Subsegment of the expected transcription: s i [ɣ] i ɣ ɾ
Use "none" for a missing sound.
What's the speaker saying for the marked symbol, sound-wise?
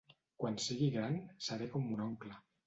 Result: ɣ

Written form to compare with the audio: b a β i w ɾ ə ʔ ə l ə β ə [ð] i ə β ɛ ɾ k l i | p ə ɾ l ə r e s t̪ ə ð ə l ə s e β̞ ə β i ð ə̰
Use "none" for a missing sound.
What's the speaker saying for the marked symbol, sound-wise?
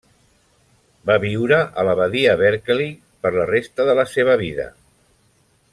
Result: ð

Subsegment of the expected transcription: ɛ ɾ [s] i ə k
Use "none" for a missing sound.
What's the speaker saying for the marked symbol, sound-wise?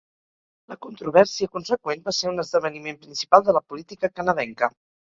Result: s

